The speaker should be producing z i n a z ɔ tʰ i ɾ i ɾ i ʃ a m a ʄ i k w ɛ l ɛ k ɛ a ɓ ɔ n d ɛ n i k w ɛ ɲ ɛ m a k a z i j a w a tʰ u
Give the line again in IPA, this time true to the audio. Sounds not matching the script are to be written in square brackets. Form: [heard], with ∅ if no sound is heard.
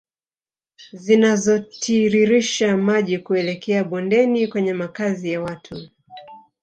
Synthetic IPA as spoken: z i n a z ɔ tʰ i ɾ i ɾ i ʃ a m a ʄ i k [u] ɛ l ɛ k ɛ a ɓ ɔ n d ɛ n i k w ɛ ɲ ɛ m a k a z i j a w a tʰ u